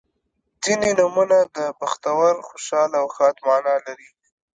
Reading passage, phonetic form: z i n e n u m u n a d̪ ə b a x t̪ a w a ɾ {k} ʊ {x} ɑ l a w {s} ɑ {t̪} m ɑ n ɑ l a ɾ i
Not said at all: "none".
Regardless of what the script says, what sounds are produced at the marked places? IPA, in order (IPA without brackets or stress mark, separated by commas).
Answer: x, ʃ, x, t̪